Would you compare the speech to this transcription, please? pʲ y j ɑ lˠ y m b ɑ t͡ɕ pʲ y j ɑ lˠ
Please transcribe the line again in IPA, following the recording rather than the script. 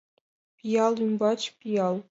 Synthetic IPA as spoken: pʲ i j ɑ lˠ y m b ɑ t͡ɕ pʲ i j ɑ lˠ

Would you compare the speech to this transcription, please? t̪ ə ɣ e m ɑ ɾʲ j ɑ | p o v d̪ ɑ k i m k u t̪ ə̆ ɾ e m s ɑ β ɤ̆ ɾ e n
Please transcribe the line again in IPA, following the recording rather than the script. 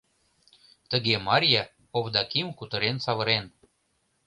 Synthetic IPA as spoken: t̪ ə ɣ e m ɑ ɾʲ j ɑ | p o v d̪ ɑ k i m k u t̪ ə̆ ɾ e n s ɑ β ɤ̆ ɾ e n

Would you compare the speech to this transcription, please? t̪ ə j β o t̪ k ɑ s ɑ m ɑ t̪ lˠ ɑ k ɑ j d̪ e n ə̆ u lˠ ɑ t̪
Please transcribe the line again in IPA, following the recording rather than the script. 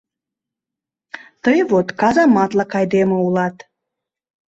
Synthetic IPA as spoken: t̪ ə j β o t̪ k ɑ z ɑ m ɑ t̪ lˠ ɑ k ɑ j d̪ e m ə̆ u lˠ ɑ t̪

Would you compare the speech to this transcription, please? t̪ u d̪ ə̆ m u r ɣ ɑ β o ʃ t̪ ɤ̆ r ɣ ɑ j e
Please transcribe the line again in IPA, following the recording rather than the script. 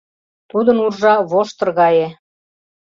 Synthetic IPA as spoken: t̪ u d̪ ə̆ n u r ʒ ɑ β o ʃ t̪ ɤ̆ r ɣ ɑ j e

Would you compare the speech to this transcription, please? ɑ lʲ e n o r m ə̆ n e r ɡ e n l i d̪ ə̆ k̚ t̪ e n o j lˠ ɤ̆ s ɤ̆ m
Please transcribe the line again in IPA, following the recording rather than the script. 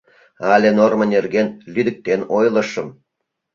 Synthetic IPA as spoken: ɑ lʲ e n o r m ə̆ n e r ɡ e n l y d̪ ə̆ k̚ t̪ e n o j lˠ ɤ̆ ʃ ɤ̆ m

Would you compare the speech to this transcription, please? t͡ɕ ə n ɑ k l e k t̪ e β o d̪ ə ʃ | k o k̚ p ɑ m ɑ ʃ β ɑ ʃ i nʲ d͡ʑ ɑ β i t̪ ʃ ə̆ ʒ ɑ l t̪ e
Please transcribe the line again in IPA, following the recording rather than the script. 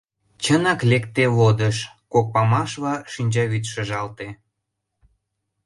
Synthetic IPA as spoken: t͡ɕ ə n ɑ k l e k t̪ e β o d̪ ə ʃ | k o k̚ p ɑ m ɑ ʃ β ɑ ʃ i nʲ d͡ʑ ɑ β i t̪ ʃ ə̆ ʒ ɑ l t̪ e

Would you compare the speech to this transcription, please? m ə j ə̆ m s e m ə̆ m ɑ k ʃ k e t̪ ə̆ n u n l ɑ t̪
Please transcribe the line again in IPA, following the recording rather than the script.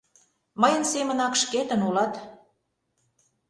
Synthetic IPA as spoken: m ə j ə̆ n s e m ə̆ n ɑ k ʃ k e t̪ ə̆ n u l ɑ t̪

